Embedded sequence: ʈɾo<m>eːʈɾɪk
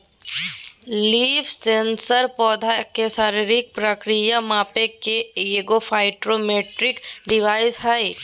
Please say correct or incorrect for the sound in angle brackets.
correct